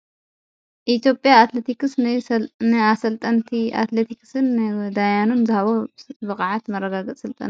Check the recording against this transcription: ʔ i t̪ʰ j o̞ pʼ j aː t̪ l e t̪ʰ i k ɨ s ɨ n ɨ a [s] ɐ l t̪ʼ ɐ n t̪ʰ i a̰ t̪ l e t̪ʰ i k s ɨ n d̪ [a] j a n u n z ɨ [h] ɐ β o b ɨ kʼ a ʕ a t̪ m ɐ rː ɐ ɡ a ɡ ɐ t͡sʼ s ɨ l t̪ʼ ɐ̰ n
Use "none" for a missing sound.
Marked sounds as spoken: s, a, h

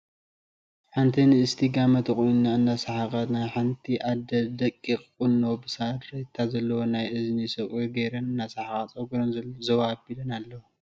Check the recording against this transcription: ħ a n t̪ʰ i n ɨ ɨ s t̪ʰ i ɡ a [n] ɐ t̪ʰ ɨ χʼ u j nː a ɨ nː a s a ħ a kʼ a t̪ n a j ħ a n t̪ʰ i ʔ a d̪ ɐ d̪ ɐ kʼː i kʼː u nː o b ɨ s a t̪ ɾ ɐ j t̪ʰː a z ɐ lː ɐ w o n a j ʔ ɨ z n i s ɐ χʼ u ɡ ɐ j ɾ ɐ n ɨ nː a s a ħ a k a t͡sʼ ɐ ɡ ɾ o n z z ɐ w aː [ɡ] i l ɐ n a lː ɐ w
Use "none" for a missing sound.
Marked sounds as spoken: m, b

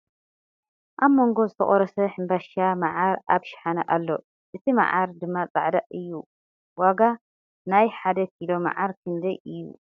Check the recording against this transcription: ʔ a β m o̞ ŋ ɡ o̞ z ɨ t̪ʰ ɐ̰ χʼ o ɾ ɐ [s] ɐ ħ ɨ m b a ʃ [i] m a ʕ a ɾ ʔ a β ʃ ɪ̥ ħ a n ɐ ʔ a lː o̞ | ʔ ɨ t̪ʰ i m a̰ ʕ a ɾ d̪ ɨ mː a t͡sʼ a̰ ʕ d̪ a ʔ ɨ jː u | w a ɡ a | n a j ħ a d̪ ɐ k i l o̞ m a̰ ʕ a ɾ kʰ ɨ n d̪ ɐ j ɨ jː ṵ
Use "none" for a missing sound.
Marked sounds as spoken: s, a

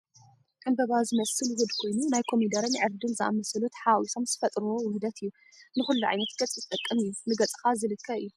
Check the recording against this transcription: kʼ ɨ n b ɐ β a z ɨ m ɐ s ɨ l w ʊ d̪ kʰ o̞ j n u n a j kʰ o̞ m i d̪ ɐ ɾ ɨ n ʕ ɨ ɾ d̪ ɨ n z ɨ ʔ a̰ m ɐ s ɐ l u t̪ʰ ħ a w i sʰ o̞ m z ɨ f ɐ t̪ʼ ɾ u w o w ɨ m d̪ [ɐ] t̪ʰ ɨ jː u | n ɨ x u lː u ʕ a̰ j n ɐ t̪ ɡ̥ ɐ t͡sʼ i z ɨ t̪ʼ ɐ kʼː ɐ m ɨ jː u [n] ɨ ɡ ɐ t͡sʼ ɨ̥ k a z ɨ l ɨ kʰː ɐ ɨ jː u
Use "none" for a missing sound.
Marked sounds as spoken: ɐ, n

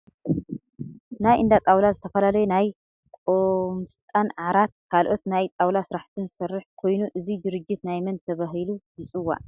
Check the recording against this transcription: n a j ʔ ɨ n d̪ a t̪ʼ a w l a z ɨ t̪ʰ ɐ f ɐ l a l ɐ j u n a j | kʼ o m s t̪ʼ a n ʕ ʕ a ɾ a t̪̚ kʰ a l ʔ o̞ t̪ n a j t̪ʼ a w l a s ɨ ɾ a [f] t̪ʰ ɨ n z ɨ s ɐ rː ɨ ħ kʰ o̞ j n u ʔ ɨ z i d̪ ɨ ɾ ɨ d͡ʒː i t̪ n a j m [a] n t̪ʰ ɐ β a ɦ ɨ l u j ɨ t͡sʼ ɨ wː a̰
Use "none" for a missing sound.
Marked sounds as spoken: ħ, ɐ

